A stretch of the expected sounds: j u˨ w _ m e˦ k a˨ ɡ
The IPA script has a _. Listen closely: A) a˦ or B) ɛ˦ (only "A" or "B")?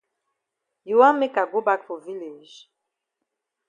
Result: A